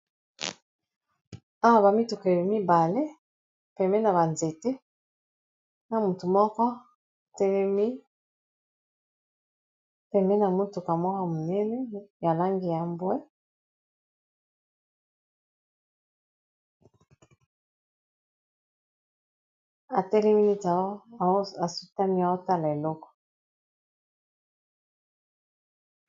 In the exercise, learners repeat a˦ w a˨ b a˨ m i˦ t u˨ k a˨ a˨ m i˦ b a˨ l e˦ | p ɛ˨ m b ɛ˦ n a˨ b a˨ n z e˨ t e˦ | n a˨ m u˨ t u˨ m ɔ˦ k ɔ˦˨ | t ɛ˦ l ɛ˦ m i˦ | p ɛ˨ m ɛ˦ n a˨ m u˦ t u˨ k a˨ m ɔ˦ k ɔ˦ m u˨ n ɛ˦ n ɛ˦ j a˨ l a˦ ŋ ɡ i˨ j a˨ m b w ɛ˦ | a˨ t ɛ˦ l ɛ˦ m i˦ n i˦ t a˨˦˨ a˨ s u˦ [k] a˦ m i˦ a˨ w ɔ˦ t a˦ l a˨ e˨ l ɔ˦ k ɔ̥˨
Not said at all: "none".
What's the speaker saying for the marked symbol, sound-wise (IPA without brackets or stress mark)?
t